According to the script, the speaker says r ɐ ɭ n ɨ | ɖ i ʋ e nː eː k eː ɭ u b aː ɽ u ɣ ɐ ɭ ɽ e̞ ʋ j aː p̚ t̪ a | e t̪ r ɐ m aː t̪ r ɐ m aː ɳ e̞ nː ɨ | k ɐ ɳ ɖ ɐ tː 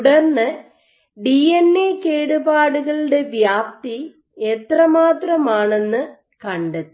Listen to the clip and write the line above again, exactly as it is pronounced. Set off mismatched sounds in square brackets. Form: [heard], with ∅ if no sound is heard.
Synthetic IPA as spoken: [ɽ] ɐ [r] n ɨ | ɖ i [∅] e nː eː k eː [ɽ] u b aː ɽ u ɣ ɐ ɭ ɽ e̞ ʋ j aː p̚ t̪ [i] | e t̪ r ɐ m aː t̪ r ɐ m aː ɳ e̞ nː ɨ | k ɐ ɳ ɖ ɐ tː